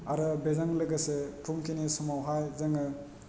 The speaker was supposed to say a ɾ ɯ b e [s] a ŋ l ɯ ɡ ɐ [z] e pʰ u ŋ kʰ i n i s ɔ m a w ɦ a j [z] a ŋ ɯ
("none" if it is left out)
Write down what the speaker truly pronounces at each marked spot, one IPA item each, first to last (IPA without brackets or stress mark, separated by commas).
z, s, z